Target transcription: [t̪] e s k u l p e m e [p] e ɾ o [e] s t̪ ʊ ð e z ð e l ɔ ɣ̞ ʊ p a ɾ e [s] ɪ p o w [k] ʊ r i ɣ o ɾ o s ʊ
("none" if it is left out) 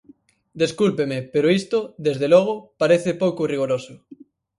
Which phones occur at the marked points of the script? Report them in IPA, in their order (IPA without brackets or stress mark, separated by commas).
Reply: d̪, p, i, θ, k